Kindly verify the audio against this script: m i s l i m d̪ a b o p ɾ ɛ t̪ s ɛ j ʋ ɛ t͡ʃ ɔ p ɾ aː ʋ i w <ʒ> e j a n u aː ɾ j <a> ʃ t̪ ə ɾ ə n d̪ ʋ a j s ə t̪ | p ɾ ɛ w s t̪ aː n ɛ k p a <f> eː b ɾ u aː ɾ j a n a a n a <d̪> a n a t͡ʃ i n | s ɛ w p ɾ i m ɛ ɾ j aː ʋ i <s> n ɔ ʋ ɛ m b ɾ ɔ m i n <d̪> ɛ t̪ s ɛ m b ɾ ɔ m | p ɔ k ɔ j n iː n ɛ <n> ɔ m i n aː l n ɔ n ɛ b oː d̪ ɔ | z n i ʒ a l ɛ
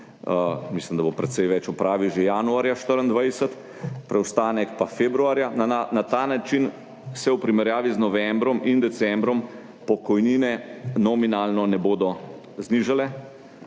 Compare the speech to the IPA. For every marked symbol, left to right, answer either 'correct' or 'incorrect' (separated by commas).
correct, correct, correct, incorrect, incorrect, correct, correct